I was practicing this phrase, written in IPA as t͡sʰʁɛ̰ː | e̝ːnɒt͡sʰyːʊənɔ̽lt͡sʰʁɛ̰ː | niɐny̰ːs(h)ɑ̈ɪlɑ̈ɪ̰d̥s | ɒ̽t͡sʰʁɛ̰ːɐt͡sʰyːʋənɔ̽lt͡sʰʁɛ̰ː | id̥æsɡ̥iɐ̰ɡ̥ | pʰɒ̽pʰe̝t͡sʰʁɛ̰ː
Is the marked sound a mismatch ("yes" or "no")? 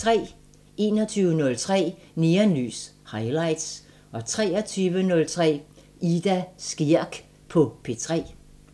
no